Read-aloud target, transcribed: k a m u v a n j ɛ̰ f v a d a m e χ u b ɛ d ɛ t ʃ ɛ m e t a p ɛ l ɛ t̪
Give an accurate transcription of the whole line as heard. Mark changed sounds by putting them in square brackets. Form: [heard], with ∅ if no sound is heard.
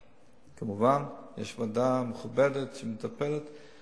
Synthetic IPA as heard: k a m u v a n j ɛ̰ [ʃ] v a d a m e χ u b ɛ d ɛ t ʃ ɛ m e t a p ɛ l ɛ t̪

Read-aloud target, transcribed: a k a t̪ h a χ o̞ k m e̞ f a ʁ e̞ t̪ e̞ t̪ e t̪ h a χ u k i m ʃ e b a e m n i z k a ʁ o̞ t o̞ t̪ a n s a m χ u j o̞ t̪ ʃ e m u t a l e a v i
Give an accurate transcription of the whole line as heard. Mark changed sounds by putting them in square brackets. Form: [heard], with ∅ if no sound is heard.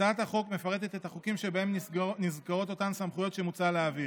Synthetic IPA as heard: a [∅] a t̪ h a χ o̞ k m e̞ f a ʁ e̞ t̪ e̞ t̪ e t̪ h a χ u k i m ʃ e b a e m n i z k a ʁ o̞ t o̞ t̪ a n s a m χ u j o̞ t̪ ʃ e m u [t͡s] a l e a v i

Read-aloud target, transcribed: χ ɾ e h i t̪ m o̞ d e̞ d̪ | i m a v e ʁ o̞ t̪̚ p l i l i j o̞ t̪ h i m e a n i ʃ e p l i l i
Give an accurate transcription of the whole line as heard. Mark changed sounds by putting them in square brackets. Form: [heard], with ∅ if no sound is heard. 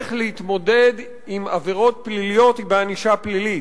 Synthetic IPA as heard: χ [l] e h i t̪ m o̞ d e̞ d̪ | i m a v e ʁ o̞ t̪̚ p l i l i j o̞ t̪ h i [b] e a n i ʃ [a] p l i l i

